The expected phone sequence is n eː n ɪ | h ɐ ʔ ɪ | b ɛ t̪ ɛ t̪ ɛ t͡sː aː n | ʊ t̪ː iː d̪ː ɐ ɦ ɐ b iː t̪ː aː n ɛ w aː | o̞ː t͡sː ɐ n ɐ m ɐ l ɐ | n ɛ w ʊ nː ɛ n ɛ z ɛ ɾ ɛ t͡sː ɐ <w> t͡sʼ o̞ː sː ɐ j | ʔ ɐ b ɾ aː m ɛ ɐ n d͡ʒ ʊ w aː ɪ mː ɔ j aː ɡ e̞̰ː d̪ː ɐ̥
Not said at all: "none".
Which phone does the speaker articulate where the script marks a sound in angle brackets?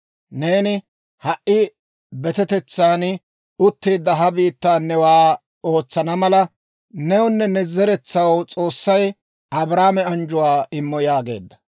w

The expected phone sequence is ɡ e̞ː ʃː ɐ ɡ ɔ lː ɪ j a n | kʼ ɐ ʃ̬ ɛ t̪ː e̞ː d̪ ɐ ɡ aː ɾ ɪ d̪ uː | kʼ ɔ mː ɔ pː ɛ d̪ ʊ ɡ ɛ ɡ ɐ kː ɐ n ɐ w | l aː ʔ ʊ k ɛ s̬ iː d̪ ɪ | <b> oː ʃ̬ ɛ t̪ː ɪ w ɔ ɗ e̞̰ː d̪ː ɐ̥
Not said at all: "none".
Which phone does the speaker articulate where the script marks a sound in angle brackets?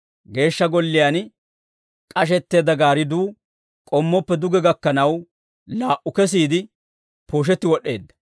p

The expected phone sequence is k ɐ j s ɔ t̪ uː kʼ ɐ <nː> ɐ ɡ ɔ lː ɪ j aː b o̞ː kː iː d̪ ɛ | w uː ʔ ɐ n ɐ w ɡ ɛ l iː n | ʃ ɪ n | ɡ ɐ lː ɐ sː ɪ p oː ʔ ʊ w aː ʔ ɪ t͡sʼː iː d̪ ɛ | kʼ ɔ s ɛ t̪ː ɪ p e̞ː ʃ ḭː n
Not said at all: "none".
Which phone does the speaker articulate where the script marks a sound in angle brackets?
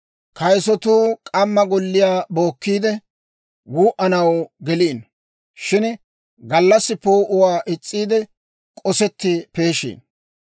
mː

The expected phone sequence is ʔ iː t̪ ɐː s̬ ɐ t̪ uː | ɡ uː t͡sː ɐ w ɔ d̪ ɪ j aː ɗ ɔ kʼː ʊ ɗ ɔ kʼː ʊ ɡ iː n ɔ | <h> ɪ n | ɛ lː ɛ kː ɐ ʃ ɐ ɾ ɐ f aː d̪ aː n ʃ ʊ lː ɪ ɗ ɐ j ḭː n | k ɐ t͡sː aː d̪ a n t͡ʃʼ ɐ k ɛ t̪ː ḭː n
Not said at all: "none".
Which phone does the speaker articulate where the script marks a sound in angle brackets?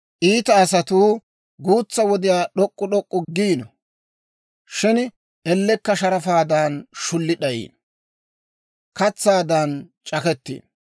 ʃ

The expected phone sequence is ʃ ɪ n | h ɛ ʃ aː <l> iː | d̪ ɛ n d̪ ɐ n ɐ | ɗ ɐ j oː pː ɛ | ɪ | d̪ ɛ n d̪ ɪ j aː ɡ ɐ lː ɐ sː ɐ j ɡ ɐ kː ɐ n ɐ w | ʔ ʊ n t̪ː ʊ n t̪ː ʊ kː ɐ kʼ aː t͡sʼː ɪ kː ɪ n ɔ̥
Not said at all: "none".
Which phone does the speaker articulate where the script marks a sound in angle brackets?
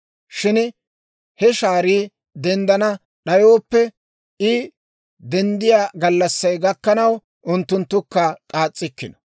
ɾ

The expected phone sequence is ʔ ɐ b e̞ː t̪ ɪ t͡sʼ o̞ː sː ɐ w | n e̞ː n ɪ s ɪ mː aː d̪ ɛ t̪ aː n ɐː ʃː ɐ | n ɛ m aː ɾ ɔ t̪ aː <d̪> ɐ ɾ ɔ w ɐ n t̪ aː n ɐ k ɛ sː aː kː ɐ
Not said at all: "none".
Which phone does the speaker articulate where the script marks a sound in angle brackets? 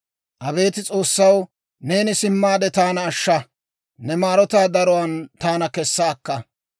d̪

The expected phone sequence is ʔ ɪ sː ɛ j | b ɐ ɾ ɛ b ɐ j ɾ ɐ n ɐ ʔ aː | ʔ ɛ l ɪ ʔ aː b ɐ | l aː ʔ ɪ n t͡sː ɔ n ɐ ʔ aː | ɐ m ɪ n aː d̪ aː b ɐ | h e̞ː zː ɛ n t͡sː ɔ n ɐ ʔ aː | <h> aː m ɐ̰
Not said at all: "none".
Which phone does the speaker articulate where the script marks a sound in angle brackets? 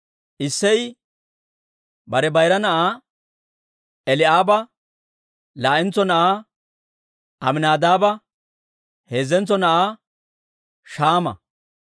ʃ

